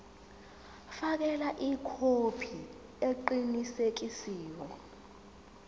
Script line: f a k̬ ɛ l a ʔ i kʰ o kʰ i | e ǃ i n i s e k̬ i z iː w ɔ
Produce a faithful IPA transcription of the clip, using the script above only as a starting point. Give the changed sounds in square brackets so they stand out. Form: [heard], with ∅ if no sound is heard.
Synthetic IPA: f a k̬ ɛ l a ʔ i kʰ o [pʰ] i | e ǃ i n i s e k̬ i [s] iː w ɔ